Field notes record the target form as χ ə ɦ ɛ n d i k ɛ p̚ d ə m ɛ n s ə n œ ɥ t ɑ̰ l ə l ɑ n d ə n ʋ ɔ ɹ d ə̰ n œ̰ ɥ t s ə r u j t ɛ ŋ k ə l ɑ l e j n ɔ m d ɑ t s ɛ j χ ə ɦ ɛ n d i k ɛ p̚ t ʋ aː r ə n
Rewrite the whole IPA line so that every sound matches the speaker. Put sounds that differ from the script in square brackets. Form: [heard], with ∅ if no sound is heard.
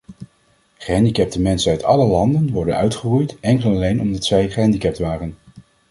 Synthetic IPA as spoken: χ ə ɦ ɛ n d i k ɛ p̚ [t] ə m ɛ n s ə n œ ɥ t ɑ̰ l ə l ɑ n d ə n ʋ ɔ ɹ d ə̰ n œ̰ ɥ t [χ] ə r u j t ɛ ŋ k ə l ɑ l e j n ɔ m d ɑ t s ɛ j χ ə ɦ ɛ n d i k ɛ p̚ t ʋ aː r ə n